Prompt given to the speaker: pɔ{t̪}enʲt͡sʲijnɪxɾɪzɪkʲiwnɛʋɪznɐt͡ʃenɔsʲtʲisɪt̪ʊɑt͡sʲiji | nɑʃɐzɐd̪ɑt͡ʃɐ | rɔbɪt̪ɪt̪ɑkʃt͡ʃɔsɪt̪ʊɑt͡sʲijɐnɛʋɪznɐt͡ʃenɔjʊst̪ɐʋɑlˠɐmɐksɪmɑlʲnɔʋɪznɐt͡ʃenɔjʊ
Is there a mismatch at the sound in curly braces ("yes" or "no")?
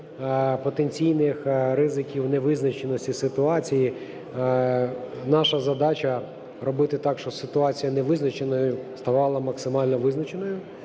no